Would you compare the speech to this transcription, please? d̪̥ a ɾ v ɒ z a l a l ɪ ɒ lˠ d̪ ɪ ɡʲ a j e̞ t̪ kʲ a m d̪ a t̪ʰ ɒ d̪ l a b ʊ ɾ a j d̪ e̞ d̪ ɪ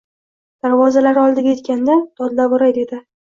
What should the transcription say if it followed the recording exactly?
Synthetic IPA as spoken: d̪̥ a ɾ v ɒ z a l a ɾ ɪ ɒ lˠ d̪ ɪ ɡʲ a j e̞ t̪ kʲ a n d̪ a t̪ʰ ɒ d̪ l a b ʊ ɾ a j d̪ e̞ d̪ ɪ